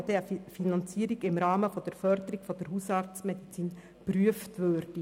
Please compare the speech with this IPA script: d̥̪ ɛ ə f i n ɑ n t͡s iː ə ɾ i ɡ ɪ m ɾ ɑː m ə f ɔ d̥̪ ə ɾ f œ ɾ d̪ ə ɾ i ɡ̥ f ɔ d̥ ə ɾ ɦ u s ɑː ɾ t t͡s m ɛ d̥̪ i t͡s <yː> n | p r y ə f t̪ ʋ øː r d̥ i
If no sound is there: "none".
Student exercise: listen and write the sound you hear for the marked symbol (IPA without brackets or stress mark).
iː